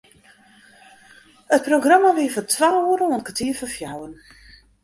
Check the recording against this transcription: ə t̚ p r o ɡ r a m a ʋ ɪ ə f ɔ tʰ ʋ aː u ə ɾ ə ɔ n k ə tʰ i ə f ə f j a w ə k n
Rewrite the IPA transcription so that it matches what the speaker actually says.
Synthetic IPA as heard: ə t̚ p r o ɡ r a m a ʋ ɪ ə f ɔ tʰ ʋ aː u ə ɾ ə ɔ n k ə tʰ i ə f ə f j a w ə n

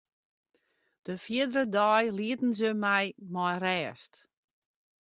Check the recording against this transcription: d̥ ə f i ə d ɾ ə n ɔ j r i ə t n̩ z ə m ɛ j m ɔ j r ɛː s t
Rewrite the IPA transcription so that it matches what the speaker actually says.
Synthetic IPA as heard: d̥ ə f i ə d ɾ ə d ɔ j l i ə t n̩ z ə m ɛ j m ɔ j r ɛː s t

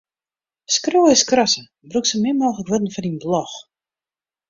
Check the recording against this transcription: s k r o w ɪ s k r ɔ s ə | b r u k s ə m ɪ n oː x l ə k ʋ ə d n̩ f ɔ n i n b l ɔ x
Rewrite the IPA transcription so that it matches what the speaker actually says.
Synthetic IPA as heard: s k r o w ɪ s k r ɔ s ə | b r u k s ə m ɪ m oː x l ə k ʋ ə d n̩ f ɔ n i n b l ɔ x

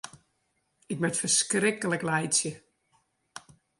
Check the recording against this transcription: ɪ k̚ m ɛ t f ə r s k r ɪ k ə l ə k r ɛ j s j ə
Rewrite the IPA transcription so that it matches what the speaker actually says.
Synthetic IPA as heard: ɪ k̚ m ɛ t f ə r s k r ɪ k ə l ə k l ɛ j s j ə

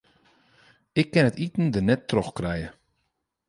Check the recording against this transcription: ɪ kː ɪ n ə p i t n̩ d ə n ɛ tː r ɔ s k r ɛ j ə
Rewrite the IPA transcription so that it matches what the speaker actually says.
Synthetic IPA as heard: ɪ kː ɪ n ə t i t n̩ d ə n ɛ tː r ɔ x k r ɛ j ə

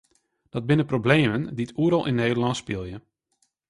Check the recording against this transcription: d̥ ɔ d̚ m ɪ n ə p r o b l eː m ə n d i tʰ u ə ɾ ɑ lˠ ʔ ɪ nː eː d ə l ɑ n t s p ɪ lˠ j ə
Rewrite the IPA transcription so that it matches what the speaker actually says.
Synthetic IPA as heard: d̥ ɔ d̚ b ɪ n ə p r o b l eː m ə n d i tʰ u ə ɾ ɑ lˠ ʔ ɪ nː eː d ə l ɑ n t s p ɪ lˠ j ə

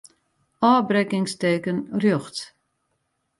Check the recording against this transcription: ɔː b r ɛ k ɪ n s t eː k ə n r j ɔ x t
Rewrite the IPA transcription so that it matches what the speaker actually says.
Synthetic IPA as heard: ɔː b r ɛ k ɪ ŋ s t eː k ə n r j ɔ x t

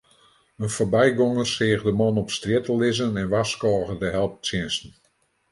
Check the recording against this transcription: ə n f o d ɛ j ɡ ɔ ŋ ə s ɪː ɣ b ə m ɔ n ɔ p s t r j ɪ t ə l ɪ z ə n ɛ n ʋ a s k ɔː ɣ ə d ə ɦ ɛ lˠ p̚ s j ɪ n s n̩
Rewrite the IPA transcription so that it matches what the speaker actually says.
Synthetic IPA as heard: ə n f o b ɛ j ɡ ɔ ŋ ə s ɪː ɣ d ə m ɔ n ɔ p s t r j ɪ t ə l ɪ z ə n ɛ n ʋ a s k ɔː ɣ ə d ə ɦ ɛ lˠ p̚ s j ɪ n s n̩

